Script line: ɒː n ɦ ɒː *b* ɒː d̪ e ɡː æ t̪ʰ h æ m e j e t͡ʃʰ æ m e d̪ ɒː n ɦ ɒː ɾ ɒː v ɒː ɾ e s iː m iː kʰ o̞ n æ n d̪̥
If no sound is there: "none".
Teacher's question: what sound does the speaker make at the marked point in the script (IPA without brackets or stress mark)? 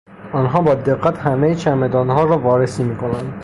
b